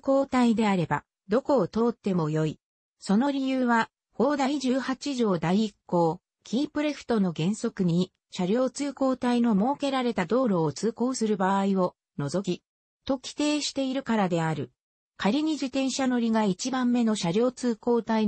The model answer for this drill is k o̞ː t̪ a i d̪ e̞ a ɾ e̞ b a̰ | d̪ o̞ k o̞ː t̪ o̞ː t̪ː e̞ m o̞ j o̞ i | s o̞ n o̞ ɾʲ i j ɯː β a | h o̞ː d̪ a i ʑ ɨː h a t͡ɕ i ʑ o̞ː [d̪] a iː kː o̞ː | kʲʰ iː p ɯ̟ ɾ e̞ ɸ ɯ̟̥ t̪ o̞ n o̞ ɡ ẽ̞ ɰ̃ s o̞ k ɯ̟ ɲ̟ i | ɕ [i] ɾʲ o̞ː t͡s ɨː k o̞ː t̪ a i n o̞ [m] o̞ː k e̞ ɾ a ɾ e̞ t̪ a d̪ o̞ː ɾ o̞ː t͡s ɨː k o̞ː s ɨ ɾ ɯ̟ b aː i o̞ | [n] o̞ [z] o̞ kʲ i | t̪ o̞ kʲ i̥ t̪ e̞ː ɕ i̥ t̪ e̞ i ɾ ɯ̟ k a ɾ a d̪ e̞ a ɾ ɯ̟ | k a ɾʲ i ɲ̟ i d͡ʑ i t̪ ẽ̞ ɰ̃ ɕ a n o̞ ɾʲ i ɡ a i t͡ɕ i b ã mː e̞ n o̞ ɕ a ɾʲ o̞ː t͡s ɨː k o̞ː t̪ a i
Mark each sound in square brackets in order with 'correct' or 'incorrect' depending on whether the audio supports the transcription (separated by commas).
correct, incorrect, correct, correct, correct